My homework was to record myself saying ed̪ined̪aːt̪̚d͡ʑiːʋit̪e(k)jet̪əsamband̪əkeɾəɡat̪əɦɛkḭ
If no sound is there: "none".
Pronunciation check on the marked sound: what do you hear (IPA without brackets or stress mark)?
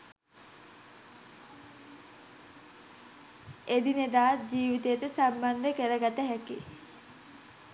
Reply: none